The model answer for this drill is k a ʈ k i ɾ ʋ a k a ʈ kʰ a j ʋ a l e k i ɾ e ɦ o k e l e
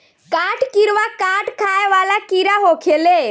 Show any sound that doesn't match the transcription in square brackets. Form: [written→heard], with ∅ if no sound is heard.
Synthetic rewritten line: k a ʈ k i ɾ ʋ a k a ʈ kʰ a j ʋ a l [e→a] k i ɾ [e→a] ɦ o [k→kʰ] e l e

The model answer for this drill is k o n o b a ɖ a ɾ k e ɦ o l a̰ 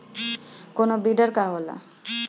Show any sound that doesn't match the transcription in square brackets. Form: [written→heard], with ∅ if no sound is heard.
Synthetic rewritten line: k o n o b [a→i] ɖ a ɾ k [e→a] ɦ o l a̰

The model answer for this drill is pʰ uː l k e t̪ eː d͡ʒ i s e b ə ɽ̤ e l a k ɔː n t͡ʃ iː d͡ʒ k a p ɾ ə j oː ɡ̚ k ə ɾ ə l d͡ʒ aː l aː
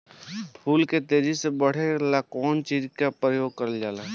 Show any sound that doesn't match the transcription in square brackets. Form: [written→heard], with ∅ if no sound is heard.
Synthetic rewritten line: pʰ uː l k e t̪ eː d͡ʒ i s e b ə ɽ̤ e l a k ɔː n t͡ʃ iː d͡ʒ k a p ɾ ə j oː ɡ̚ k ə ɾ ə l d͡ʒ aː l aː

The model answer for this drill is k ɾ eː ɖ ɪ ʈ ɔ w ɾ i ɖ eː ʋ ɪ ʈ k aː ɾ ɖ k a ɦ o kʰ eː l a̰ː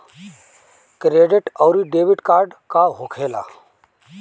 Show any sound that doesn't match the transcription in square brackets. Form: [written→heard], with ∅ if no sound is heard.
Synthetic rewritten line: k ɾ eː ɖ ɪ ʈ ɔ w ɾ i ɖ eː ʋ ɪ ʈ k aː ɾ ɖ k a ɦ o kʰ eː l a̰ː

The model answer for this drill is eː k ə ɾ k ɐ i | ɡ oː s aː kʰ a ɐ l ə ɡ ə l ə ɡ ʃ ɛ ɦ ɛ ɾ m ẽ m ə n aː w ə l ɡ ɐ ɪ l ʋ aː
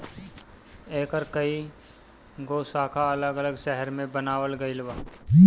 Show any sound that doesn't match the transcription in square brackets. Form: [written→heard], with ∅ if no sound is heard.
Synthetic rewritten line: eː k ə ɾ k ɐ i | ɡ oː s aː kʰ a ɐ l ə ɡ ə l ə ɡ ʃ ɛ ɦ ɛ ɾ m ẽ [m→b] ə n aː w ə l ɡ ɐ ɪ l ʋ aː

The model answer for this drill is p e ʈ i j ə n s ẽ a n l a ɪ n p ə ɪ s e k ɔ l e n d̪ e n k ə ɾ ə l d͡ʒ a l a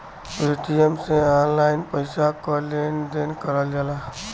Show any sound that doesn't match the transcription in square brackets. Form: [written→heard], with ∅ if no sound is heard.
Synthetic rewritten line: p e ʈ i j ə [n→m] s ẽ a n l a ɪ n p ə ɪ s [e→a] k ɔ l e n d̪ e n k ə ɾ ə l d͡ʒ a l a

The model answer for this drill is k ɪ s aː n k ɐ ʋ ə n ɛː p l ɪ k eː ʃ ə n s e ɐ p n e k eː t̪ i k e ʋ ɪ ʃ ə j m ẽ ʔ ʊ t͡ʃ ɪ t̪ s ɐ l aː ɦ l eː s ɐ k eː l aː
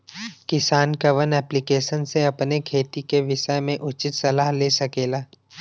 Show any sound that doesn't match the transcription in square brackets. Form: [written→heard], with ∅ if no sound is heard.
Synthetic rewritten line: k ɪ s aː n k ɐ ʋ ə n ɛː p l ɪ k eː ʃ ə n s e ɐ p n e [k→kʰ] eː t̪ i k e ʋ ɪ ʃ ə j m ẽ ʔ ʊ t͡ʃ ɪ t̪ s ɐ l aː ɦ l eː s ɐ k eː l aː

